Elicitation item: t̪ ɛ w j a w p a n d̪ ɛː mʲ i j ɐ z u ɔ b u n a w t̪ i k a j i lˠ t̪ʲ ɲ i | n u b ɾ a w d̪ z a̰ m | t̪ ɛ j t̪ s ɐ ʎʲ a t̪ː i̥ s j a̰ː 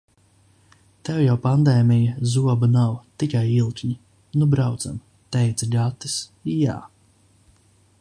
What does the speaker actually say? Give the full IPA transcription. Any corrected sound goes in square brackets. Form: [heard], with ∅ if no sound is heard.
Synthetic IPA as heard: t̪ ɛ w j a w p a n d̪ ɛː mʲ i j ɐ z u ɔ b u n a w t̪ i k a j i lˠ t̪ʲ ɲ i | n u b ɾ a w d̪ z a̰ m | t̪ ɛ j t̪ s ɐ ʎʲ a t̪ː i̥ s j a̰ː